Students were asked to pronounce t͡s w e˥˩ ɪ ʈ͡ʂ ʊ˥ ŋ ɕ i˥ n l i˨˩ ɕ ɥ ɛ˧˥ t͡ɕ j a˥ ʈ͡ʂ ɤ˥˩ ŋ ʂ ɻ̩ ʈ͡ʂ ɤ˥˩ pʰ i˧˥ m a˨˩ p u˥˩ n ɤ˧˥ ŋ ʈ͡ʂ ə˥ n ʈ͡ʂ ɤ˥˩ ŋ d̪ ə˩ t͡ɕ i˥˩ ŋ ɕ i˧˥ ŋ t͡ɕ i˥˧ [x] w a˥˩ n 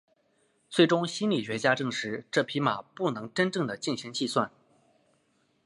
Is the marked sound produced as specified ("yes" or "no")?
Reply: no